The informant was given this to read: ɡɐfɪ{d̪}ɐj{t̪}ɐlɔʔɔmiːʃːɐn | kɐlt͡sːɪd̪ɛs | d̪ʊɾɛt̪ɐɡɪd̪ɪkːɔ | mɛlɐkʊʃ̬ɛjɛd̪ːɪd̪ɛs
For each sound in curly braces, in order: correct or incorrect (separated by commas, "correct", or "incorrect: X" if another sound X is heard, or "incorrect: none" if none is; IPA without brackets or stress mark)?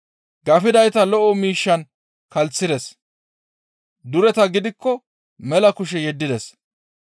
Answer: correct, correct